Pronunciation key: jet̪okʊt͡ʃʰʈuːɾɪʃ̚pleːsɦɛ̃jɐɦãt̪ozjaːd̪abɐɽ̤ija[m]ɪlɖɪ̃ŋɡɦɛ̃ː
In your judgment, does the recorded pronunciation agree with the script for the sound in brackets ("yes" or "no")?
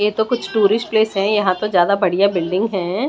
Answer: no